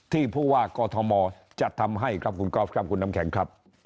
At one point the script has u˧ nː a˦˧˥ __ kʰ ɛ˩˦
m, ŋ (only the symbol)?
m